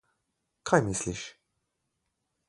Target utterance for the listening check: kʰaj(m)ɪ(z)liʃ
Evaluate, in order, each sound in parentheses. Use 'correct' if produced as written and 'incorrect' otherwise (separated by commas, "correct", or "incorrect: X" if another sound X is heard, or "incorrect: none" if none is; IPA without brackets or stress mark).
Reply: correct, incorrect: s